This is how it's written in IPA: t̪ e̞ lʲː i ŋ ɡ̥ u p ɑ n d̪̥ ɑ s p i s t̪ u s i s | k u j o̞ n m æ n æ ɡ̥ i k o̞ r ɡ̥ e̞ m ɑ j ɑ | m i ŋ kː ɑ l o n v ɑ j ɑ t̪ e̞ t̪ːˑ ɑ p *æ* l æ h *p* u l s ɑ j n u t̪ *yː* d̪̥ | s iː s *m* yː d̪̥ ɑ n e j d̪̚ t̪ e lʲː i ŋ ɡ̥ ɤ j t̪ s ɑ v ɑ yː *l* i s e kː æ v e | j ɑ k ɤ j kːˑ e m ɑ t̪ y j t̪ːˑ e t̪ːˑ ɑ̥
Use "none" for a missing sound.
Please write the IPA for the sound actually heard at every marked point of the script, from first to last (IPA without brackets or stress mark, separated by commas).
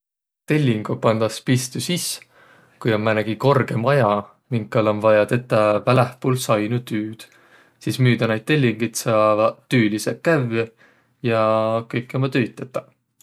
æ, p, yː, m, l